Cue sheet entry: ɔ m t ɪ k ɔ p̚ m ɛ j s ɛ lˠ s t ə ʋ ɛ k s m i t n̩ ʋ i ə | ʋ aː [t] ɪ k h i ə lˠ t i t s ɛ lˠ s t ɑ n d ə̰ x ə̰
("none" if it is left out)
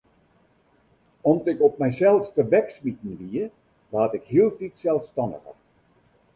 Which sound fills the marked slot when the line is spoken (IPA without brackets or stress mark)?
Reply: t